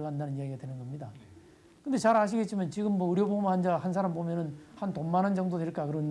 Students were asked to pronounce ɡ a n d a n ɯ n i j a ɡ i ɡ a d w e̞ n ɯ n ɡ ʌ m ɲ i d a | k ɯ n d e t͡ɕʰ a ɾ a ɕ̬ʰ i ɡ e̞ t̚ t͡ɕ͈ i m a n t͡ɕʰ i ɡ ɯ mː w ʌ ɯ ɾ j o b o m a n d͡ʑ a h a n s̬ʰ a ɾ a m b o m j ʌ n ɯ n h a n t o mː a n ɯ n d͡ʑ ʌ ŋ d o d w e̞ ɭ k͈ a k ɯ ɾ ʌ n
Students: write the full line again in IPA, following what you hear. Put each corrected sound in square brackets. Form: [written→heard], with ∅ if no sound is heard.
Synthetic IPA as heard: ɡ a n d a n ɯ n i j a ɡ i ɡ a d w e̞ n ɯ n ɡ ʌ m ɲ i d a | k ɯ n d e [t͡ɕʰ→t͡ɕ] a ɾ a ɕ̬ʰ i ɡ e̞ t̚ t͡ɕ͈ i m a n [t͡ɕʰ→t͡ɕ] i ɡ ɯ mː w ʌ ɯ ɾ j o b o m a n d͡ʑ a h a n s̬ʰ a ɾ a m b o m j ʌ n ɯ n h a n t o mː a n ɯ n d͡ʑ ʌ ŋ d o d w e̞ ɭ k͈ a k ɯ ɾ ʌ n

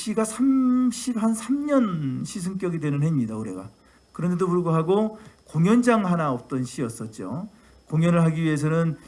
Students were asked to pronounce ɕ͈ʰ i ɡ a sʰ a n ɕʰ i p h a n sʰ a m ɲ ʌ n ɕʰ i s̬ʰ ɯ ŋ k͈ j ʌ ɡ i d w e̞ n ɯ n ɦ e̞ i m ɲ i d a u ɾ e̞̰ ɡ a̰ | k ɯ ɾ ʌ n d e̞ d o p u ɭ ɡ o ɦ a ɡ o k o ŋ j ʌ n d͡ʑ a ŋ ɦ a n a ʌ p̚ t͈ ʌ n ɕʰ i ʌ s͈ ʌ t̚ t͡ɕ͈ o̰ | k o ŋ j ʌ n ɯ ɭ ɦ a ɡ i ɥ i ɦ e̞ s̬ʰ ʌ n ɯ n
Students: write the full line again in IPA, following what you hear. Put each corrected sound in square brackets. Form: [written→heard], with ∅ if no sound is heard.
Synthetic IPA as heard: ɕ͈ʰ i ɡ a sʰ a [n→m] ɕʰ i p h a n sʰ a m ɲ ʌ n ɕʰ i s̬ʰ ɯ ŋ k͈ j ʌ ɡ i d w e̞ n ɯ n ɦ e̞ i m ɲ i d a u ɾ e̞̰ ɡ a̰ | k ɯ ɾ ʌ n d e̞ d o p u ɭ ɡ o ɦ a ɡ o k o ŋ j ʌ n d͡ʑ a ŋ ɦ a n a ʌ p̚ t͈ ʌ n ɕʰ i ʌ s͈ ʌ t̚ t͡ɕ͈ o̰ | k o ŋ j ʌ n ɯ ɭ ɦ a ɡ i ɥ i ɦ e̞ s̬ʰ ʌ n ɯ n

